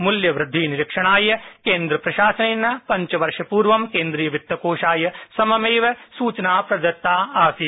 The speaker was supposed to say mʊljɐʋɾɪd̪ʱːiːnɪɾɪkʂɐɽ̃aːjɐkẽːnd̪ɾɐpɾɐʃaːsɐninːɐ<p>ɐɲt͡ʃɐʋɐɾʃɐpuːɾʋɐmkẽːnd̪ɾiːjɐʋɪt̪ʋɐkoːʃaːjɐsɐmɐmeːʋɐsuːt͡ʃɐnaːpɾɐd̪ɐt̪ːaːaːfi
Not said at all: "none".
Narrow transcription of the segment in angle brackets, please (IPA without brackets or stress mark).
p